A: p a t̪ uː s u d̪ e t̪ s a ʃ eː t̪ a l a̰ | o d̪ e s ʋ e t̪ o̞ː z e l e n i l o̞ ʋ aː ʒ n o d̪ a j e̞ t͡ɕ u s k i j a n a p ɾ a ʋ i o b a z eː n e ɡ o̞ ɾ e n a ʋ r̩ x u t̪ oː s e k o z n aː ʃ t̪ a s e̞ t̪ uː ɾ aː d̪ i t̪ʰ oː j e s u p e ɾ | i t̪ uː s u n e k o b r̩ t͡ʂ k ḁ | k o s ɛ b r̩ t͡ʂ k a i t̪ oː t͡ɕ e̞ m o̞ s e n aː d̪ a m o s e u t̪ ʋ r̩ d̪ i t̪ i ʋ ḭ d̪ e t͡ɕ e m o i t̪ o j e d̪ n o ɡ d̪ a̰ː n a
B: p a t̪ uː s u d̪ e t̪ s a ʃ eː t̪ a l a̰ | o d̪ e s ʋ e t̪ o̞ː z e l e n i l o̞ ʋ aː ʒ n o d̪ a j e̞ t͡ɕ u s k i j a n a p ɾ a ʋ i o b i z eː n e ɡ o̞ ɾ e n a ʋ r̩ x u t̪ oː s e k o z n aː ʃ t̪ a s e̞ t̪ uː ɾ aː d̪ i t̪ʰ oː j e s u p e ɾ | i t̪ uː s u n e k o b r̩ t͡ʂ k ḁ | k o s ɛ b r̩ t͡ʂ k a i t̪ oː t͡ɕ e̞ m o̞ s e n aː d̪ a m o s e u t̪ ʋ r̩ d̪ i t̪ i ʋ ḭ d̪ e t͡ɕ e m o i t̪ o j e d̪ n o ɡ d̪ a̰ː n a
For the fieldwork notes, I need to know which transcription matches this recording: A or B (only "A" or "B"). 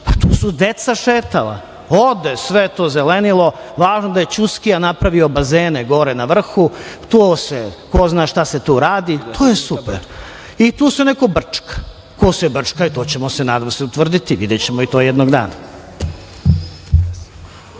A